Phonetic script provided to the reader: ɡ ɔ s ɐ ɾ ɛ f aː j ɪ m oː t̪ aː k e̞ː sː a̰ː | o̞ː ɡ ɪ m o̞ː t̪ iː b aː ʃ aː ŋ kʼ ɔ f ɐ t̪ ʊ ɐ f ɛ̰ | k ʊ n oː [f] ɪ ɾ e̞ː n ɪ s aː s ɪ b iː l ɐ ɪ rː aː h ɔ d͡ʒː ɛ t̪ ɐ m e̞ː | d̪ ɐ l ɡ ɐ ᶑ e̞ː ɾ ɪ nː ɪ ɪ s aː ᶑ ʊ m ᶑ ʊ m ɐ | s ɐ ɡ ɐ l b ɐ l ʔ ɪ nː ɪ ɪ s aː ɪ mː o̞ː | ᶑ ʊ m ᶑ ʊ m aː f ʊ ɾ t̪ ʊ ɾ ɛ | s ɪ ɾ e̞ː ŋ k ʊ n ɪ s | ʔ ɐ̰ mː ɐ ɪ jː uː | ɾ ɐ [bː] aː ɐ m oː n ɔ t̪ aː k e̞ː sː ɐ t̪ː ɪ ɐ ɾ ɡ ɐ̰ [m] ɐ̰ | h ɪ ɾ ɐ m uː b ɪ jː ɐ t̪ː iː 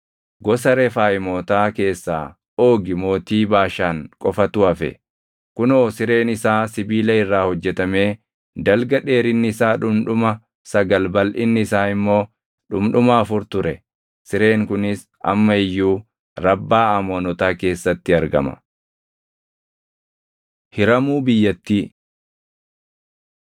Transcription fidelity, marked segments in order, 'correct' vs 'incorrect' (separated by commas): incorrect, correct, correct